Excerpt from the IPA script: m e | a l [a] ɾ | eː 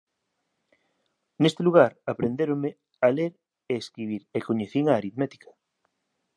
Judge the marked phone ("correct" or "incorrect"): incorrect